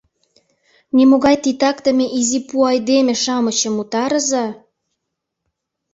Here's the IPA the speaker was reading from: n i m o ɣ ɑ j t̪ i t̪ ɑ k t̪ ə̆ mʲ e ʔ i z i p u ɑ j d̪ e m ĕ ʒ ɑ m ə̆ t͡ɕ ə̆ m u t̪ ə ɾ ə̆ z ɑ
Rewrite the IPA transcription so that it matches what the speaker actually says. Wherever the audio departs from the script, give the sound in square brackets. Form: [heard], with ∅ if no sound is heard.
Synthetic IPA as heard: n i m o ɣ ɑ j t̪ i t̪ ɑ k t̪ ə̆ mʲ e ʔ i z i p u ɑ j d̪ e m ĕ [ʃ] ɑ m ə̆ t͡ɕ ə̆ m u t̪ [ɑ] ɾ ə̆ z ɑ